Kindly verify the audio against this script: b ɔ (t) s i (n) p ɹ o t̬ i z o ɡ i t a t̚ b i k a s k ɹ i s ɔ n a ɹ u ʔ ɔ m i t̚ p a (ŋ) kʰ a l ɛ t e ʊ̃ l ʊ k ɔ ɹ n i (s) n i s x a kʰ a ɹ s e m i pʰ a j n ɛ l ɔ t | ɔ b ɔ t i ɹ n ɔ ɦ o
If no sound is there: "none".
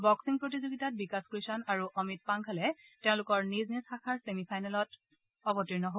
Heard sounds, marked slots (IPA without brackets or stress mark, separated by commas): k, ŋ, ŋ, z